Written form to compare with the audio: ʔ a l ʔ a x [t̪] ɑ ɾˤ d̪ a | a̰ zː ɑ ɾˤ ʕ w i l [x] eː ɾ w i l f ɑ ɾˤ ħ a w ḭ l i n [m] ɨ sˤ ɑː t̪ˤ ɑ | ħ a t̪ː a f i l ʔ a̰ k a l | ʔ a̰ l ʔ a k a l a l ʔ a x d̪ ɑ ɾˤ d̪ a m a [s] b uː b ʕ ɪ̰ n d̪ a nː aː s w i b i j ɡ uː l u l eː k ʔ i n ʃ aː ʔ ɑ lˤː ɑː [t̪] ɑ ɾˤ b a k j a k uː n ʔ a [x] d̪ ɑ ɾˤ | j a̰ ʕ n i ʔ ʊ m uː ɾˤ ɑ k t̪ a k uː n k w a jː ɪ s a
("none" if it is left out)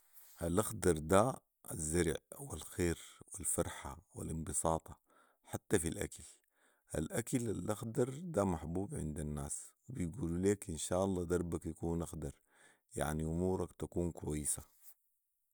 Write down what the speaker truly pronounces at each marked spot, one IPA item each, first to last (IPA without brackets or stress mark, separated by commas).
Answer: d̪, x, b, ħ, d̪, x